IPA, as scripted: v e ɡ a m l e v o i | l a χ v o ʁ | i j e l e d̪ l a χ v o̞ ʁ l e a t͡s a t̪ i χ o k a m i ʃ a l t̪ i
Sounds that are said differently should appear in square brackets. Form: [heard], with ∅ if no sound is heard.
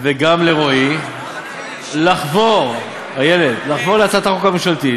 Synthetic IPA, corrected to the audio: v e ɡ a m l e [ʁ] o i | l a χ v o ʁ | [a] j e l e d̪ l a χ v o̞ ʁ l e a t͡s a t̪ [a] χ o k a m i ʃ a l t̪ i